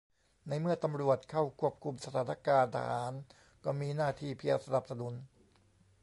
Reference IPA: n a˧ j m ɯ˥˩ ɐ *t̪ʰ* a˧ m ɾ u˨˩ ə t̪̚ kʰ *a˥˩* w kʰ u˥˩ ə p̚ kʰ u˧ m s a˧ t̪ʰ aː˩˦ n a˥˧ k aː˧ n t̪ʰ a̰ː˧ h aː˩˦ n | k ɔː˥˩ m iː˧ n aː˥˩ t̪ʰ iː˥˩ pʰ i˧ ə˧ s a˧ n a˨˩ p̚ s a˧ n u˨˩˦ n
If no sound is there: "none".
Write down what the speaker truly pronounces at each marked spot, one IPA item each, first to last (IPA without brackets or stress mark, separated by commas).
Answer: t̪, a˥˩